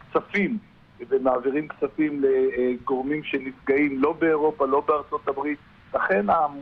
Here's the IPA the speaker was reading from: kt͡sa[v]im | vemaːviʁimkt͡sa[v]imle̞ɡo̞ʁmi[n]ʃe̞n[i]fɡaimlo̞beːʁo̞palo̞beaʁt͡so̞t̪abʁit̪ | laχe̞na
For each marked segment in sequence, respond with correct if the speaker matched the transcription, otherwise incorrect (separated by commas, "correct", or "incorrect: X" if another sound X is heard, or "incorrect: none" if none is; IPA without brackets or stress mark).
incorrect: f, incorrect: f, incorrect: m, correct